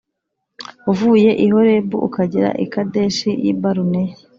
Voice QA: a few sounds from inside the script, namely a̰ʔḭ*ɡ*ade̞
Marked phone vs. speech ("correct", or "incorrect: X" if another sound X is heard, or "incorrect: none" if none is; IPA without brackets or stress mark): incorrect: k